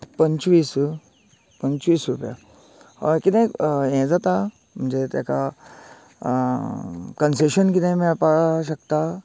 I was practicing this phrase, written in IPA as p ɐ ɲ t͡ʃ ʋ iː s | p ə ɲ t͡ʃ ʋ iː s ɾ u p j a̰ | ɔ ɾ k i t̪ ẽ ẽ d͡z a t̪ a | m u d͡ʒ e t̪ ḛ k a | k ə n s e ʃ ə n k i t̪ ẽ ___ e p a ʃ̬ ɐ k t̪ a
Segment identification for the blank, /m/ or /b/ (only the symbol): m